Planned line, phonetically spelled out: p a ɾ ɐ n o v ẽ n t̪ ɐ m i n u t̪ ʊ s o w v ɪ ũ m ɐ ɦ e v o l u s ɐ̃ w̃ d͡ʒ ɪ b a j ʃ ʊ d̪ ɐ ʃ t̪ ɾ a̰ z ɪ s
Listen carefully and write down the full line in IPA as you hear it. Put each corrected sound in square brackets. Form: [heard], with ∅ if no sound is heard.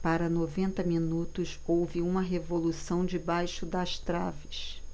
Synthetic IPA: p a ɾ ɐ n o v ẽ n t̪ ɐ m i n u t̪ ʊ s o w v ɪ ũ m ɐ ɦ e v o l u s ɐ̃ w̃ d͡ʒ ɪ b a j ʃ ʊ d̪ ɐ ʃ t̪ ɾ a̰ [v] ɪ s